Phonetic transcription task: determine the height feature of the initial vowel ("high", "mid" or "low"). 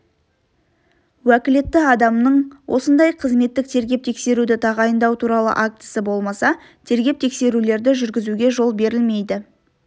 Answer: low